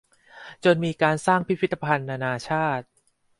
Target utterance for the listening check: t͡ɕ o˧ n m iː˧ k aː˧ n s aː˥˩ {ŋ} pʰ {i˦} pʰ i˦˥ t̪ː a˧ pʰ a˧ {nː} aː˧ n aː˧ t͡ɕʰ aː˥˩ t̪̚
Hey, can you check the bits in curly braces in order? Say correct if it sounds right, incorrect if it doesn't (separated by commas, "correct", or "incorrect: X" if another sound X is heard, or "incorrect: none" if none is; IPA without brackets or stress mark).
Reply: correct, correct, correct